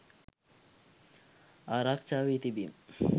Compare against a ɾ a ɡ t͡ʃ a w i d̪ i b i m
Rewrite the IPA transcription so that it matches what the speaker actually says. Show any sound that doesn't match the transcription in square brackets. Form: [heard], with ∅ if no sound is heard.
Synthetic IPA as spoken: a ɾ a [k] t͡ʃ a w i [t̪] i b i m